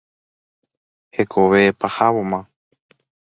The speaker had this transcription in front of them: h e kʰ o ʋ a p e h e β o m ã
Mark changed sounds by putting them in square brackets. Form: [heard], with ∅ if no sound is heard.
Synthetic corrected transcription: h e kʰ o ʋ [e] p [a] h [a] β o m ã

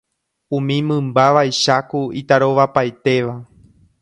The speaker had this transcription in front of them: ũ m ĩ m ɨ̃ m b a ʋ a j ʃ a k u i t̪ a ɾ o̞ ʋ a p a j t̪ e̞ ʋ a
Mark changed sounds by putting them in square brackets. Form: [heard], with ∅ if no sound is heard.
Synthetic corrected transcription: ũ m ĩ m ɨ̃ m b a ʋ a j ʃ a k u i t̪ a ɾ o̞ ʋ a p a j t̪ e̞ ʋ a

